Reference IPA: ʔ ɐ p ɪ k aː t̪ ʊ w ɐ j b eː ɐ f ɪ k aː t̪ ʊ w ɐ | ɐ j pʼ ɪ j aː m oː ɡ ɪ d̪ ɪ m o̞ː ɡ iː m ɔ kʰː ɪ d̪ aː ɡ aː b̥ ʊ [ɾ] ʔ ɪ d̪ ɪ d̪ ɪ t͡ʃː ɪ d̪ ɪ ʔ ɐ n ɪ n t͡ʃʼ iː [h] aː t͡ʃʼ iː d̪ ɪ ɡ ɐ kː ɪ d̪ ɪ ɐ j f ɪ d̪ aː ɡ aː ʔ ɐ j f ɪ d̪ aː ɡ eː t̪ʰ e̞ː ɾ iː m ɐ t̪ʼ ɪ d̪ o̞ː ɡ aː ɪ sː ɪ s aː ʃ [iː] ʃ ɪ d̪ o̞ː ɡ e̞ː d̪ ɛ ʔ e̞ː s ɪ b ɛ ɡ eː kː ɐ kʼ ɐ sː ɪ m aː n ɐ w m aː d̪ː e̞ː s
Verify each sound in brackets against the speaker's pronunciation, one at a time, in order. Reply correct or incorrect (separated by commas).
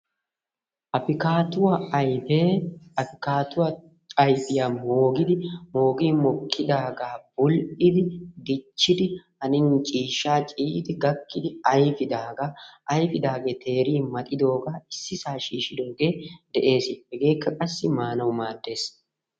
incorrect, incorrect, correct